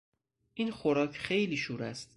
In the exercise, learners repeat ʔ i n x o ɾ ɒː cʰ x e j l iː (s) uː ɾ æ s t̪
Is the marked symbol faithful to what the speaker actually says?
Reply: no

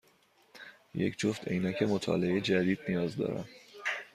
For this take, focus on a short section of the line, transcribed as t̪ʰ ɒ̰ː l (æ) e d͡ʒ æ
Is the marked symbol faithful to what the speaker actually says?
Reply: no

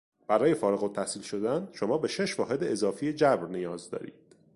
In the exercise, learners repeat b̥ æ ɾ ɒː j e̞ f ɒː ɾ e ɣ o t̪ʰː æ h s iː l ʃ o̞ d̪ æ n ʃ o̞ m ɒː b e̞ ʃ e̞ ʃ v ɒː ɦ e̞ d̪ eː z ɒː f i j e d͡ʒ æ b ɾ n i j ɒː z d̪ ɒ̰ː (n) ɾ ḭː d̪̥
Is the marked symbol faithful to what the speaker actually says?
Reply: no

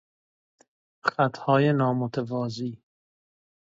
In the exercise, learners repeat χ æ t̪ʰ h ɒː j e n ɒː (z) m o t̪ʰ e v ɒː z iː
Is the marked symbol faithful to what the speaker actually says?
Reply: no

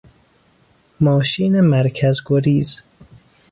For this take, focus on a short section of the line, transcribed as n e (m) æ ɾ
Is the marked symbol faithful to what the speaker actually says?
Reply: yes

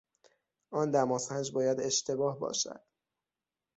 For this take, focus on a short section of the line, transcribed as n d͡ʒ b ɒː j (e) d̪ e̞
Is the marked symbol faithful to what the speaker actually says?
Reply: no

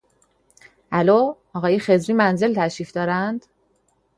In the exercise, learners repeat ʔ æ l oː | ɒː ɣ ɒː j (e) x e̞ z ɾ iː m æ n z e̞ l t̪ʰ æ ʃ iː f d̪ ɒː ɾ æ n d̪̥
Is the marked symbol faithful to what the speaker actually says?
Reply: yes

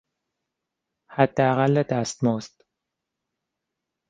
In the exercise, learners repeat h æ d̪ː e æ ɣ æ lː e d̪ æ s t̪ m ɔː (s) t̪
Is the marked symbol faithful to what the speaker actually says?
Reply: yes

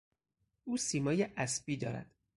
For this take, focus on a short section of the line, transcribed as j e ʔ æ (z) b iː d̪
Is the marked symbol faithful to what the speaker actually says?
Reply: no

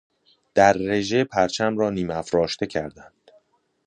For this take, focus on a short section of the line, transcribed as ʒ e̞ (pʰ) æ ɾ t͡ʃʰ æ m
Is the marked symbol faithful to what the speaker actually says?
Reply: yes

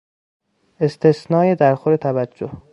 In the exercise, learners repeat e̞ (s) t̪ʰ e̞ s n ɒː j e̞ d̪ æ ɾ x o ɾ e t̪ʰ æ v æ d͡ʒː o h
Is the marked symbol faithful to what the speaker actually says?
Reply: yes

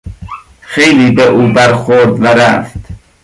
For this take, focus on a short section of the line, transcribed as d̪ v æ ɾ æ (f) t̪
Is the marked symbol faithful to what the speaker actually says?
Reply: yes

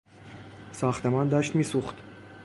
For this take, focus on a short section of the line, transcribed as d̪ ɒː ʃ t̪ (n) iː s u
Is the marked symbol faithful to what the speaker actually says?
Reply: no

